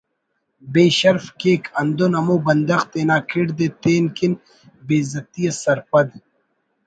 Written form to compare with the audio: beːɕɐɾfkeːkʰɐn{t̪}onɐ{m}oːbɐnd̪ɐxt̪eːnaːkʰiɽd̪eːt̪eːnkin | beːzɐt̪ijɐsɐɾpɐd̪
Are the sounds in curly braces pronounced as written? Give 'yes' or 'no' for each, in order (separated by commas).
no, yes